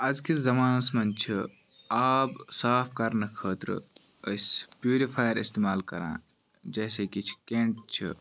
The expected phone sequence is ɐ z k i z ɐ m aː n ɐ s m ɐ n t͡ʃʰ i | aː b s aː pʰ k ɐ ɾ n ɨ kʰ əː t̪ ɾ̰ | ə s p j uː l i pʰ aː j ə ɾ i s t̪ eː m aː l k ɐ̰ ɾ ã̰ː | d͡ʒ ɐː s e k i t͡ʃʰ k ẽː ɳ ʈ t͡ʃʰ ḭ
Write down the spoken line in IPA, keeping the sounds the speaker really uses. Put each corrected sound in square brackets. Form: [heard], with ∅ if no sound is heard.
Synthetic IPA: ɐ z k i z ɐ m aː n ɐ s m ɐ n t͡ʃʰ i | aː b s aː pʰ k ɐ ɾ n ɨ kʰ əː t̪ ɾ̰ | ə s p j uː [ɾ] i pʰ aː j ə ɾ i s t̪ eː m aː l k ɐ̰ ɾ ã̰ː | d͡ʒ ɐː s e k i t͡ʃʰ k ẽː ɳ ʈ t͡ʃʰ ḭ